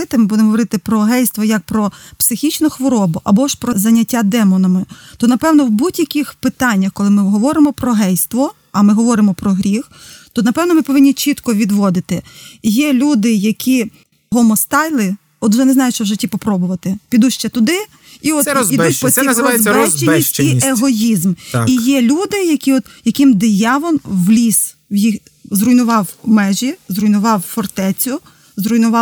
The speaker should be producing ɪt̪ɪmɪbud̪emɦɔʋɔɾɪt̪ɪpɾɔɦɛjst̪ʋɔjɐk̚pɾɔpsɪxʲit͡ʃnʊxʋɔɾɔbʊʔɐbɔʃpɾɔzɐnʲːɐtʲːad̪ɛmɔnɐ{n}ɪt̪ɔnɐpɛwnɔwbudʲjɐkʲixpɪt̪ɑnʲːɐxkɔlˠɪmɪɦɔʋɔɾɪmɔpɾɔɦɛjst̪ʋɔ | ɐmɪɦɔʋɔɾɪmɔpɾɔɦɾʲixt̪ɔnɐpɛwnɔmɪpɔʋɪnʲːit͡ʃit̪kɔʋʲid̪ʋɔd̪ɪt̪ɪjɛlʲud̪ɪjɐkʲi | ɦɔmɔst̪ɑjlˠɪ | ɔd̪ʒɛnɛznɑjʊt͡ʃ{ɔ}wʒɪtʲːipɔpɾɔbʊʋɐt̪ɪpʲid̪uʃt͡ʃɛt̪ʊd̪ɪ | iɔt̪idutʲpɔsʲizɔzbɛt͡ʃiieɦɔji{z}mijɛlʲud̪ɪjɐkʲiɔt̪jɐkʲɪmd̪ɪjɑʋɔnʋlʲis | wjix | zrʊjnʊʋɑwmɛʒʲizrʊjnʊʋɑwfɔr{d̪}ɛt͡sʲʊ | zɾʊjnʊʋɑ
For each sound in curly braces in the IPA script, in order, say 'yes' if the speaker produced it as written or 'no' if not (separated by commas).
no, yes, yes, no